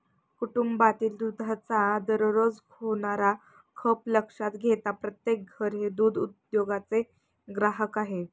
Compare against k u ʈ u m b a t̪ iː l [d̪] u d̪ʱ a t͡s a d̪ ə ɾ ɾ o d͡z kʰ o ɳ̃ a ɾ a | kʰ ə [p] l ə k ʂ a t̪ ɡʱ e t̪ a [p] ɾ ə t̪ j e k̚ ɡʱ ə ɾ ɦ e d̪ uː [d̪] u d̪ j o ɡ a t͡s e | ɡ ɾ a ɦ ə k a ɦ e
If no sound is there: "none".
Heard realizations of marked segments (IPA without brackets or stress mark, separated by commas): d̪, p, p, d̪